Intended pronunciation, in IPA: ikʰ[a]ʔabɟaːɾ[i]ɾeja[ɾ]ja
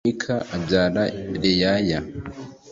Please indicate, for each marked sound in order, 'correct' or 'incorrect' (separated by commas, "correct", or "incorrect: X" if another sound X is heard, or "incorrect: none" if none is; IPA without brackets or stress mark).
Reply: correct, incorrect: a, incorrect: none